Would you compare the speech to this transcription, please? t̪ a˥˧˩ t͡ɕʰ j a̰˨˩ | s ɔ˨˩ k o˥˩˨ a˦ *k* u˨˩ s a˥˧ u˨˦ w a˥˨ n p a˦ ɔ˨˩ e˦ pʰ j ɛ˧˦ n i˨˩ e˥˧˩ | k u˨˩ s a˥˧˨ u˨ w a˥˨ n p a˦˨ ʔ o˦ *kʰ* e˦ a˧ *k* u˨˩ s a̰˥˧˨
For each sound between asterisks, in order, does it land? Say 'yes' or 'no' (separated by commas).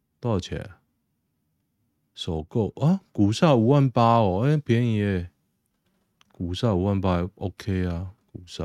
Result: yes, yes, yes